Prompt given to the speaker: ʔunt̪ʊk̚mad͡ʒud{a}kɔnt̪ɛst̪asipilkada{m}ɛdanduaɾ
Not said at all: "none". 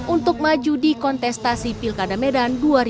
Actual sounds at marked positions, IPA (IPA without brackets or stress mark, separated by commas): i, m